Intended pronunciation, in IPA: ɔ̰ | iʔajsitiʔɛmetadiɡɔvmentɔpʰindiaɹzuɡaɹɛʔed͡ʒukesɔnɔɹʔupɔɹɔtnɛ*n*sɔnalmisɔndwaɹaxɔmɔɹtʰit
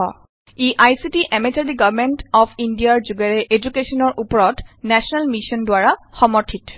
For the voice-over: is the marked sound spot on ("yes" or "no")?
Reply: no